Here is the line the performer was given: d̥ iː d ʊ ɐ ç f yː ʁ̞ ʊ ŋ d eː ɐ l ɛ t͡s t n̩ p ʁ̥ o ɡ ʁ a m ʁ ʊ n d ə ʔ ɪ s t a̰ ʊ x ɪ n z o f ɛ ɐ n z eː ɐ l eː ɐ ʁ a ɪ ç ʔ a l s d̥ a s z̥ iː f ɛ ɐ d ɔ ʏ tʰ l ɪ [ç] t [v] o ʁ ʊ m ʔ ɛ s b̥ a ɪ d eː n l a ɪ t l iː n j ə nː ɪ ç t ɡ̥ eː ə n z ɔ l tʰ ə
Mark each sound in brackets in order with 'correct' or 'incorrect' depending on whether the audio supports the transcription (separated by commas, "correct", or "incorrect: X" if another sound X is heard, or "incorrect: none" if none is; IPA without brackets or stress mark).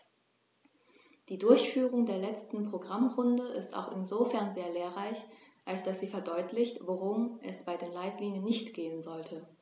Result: correct, correct